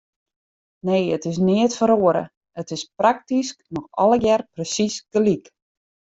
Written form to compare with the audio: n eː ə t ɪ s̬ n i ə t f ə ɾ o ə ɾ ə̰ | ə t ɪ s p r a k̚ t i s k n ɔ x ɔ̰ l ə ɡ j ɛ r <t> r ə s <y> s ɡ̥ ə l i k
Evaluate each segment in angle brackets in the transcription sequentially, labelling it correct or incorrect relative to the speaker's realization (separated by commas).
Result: incorrect, incorrect